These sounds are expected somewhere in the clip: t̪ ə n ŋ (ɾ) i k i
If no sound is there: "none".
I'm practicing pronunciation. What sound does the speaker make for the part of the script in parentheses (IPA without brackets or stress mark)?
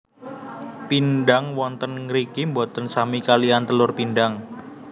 ɾ